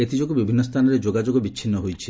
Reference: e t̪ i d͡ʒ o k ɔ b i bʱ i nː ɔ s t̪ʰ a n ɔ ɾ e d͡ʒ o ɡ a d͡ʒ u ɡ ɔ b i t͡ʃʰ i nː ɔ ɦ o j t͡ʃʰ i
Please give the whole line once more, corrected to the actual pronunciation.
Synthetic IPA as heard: e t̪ i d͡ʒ o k u b i bʱ i nː ɔ s t̪ʰ a n ɔ ɾ e d͡ʒ o ɡ a d͡ʒ o ɡ ɔ b i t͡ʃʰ i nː ɔ ɦ o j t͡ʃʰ i